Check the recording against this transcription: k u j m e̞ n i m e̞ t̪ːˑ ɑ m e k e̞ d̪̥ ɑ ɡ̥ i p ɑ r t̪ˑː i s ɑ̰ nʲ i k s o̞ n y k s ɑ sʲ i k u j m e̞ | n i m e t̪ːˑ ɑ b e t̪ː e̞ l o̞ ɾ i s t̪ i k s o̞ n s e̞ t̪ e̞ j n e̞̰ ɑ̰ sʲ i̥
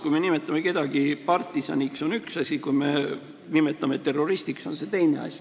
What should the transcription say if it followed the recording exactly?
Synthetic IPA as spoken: k u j m e̞ n i m e̞ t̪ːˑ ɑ m e k e̞ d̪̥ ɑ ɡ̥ i p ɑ r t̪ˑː i s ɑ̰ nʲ i k s o̞ n y k s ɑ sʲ i k u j m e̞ | n i m e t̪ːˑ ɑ m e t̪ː e̞ r o̞ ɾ i s t̪ i k s o̞ n s e̞ t̪ e̞ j n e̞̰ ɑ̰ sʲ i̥